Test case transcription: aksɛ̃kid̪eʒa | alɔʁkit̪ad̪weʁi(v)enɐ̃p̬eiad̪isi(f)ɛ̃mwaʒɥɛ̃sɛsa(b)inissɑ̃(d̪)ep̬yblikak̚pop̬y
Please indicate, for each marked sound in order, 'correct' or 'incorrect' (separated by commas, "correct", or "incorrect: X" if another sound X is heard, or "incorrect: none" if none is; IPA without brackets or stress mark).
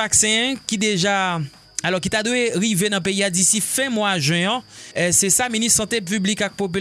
correct, correct, incorrect: m, incorrect: t̪